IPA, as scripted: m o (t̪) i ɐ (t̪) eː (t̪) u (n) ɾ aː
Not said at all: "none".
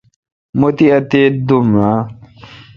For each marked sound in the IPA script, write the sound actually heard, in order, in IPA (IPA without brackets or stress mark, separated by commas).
t̪, t̪, d̪, m